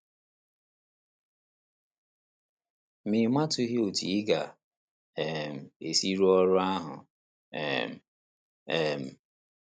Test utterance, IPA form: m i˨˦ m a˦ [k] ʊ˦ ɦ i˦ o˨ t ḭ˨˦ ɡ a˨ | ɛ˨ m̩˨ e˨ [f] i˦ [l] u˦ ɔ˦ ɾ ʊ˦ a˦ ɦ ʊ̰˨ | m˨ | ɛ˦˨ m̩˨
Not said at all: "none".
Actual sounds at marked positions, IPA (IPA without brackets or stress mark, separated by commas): t, s, ɾ